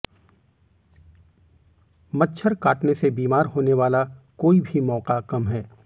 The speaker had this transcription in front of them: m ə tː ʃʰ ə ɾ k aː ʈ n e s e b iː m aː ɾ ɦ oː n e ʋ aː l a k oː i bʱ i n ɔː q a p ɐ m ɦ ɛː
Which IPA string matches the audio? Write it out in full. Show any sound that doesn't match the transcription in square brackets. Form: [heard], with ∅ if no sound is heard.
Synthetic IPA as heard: m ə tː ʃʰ ə ɾ k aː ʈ n e s e b iː m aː ɾ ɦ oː n e ʋ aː l a k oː i bʱ i [m] ɔː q a [k] ɐ m ɦ ɛː